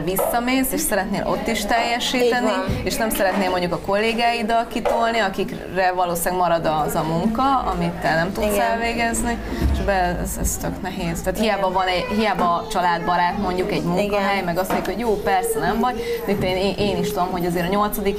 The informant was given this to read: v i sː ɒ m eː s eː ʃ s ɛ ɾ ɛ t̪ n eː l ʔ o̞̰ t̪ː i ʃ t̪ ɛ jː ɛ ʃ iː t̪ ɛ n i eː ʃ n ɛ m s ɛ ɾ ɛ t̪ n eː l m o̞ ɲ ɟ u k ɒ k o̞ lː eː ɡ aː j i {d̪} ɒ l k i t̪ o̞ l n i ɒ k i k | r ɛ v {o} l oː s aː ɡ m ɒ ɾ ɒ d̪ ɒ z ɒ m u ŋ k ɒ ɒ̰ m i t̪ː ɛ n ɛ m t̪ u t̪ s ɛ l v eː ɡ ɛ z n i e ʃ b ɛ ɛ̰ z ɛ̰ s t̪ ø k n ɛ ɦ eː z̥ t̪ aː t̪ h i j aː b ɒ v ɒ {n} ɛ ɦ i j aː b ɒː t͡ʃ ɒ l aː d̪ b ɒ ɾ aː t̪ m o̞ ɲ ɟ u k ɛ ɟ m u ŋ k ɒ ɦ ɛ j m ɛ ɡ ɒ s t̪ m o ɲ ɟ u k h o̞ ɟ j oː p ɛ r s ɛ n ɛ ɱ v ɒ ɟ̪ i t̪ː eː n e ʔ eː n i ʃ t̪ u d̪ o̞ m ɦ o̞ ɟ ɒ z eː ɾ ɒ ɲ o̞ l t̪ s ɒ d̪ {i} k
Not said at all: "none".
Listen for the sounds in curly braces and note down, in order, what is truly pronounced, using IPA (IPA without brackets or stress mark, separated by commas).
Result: d̪, ɒ, n, i